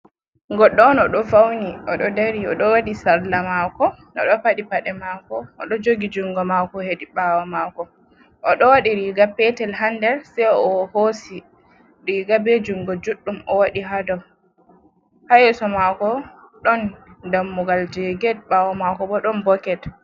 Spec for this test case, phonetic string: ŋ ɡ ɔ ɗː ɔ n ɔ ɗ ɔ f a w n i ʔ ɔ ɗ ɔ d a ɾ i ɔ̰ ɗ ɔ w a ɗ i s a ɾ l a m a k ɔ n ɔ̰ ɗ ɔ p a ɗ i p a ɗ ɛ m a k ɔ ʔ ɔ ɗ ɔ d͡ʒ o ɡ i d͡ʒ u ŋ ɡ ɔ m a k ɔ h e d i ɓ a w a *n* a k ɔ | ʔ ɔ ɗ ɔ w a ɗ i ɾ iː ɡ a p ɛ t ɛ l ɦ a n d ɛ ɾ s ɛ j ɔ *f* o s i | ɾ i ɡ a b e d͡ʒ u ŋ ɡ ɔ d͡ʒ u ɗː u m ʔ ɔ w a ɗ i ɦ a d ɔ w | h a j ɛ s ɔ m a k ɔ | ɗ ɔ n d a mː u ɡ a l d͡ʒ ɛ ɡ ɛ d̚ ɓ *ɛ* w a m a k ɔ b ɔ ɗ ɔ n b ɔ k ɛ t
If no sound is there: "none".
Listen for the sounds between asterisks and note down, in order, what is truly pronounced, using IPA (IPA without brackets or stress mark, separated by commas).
m, h, a